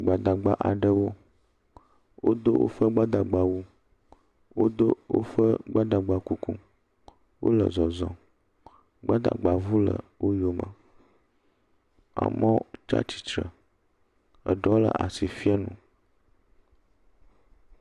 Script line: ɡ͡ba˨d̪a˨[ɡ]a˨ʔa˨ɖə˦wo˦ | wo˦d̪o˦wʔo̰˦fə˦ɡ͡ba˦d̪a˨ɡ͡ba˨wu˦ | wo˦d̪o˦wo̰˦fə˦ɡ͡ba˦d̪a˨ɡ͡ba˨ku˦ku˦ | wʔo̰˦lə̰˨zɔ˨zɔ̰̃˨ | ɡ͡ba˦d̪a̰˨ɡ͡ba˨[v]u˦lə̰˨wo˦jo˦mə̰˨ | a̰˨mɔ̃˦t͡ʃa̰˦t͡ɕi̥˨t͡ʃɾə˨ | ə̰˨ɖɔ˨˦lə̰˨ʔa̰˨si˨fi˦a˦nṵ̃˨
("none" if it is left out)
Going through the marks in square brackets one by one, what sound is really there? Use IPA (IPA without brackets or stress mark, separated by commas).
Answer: ɡ͡b, v